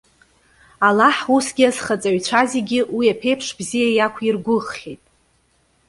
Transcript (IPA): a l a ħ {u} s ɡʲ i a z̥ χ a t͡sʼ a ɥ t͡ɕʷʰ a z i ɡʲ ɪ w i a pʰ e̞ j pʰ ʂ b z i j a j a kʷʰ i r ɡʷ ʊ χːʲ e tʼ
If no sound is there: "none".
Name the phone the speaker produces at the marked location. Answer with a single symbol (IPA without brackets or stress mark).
u